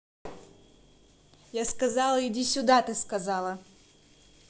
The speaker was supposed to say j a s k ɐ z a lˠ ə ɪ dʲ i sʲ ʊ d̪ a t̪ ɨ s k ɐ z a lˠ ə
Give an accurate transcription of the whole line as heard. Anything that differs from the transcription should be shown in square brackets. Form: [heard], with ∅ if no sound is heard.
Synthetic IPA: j a s k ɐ z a lˠ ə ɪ dʲ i sʲ ʊ d̪ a t̪ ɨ s k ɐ z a lˠ ə